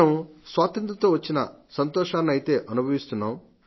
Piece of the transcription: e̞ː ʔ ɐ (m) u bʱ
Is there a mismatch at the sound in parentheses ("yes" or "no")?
yes